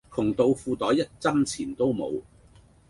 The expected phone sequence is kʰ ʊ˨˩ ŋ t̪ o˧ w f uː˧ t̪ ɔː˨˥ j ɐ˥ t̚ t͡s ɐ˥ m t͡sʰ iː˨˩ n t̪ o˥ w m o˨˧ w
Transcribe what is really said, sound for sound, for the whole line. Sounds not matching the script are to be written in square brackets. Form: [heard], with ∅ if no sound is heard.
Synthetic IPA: kʰ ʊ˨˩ ŋ t̪ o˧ w f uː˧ t̪ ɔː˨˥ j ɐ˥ t̚ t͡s ɐ˥ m t͡sʰ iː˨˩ n t̪ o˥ w m o˨˧ w